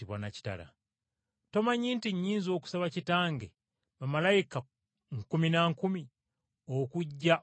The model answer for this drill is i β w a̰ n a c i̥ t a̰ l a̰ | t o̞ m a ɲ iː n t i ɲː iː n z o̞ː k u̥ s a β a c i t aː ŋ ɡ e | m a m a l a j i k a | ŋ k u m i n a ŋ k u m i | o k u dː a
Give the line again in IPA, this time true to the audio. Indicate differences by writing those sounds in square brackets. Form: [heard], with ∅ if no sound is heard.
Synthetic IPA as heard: i β w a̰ n a c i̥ t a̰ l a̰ | t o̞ m a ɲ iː n t i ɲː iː n z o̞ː k u̥ s a β a c i t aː ŋ ɡ e | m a m a l a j i k a | ŋ k u m i n a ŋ k u m i | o k u [ɟː] a